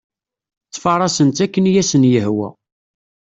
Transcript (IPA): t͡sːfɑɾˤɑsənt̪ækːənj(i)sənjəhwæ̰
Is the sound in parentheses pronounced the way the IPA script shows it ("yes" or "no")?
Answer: no